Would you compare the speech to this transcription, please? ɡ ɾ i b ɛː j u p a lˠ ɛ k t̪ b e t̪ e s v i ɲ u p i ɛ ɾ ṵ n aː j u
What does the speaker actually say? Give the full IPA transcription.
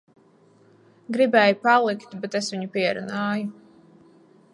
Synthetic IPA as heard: ɡ ɾ i b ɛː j u p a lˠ i k t̪ b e t̪ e s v i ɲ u p i ɛ ɾ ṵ n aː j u